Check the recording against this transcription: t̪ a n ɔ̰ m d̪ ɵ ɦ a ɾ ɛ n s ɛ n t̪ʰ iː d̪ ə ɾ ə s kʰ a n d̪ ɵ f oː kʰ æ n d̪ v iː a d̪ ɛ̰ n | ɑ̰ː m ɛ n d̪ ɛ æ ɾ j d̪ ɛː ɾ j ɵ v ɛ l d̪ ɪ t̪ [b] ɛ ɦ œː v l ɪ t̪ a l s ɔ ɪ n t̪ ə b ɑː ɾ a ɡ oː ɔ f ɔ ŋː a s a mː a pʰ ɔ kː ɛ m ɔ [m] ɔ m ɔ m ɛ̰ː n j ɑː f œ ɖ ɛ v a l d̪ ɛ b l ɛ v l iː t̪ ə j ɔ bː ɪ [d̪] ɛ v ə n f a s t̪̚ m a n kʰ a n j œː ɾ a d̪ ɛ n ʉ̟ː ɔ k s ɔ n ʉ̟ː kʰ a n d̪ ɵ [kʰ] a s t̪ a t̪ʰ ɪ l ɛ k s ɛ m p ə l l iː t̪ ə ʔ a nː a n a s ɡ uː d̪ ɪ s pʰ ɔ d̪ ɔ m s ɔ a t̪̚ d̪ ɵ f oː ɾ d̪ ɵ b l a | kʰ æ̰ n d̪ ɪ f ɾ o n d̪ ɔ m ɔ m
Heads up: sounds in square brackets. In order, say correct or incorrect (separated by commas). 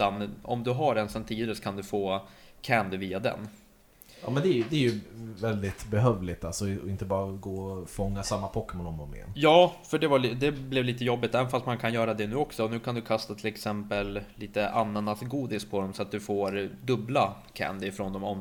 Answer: correct, incorrect, incorrect, correct